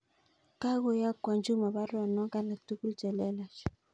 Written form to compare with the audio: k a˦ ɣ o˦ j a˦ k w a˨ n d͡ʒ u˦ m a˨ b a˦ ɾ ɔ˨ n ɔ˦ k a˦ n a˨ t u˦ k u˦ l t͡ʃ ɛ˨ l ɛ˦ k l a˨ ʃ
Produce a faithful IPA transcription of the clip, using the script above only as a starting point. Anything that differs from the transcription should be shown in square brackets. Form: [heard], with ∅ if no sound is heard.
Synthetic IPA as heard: k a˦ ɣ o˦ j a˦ k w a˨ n d͡ʒ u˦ m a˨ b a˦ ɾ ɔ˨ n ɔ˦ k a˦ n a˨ t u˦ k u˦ l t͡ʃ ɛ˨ l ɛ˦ [∅] l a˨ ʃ